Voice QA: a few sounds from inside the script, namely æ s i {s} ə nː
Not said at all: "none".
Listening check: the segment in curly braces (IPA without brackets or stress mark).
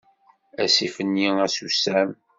f